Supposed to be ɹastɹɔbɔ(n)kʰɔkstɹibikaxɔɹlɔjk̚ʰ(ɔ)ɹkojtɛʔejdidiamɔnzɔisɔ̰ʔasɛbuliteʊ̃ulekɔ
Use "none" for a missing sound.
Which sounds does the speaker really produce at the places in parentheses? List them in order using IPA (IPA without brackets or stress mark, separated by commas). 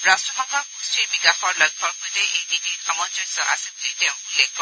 ŋ, ɔ